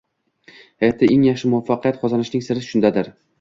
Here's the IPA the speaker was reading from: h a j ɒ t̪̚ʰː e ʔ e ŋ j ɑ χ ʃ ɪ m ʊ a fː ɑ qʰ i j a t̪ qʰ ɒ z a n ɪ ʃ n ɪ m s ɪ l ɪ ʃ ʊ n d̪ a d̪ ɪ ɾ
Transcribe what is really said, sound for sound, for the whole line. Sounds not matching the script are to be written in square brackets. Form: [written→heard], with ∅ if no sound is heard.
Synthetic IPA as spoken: h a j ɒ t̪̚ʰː [e→a] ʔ e ŋ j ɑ χ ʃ ɪ m ʊ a fː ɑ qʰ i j a t̪ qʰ ɒ z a n ɪ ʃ n ɪ [m→ŋ] s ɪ [l→ɾ] ɪ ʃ ʊ n d̪ a d̪ ɪ ɾ